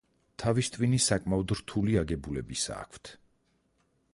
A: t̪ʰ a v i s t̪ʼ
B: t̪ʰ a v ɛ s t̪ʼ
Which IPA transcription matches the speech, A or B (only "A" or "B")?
A